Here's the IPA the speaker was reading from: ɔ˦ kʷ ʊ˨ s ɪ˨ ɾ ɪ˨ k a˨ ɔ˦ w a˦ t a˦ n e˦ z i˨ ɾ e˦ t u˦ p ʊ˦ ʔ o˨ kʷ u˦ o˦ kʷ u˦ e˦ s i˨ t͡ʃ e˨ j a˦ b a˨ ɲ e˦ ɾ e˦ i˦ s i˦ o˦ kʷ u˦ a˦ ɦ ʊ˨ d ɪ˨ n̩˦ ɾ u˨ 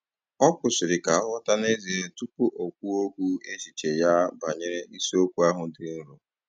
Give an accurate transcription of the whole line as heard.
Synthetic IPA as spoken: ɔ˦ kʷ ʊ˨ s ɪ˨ ɾ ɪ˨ k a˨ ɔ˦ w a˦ t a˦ n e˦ z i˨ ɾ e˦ t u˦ p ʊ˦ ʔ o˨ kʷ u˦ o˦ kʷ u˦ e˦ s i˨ t͡ʃ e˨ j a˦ b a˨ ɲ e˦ ɾ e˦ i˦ s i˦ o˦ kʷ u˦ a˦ ɦ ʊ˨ d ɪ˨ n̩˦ ɾ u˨